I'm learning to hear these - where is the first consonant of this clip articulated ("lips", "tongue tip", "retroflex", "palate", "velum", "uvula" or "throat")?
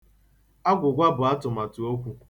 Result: velum